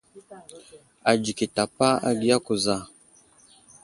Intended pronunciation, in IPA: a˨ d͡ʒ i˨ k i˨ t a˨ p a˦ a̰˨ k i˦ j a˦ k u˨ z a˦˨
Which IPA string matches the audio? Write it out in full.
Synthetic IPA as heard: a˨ d͡ʒ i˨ k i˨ t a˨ p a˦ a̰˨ ɡ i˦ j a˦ k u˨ z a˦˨